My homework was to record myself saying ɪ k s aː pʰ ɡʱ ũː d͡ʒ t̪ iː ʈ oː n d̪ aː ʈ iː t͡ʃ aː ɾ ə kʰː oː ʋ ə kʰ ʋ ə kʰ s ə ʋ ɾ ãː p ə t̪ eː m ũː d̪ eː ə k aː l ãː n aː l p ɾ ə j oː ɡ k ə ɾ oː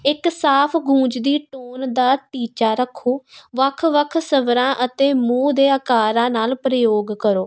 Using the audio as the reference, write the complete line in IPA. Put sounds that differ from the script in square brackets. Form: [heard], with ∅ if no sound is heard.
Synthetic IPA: ɪ k s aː pʰ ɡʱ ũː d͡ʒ [d̪] iː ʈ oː n d̪ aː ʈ iː t͡ʃ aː ɾ ə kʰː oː ʋ ə kʰ ʋ ə kʰ s ə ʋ ɾ ãː [ʔ] ə t̪ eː m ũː d̪ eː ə k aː [ɾ] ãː n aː l p ɾ ə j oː ɡ k ə ɾ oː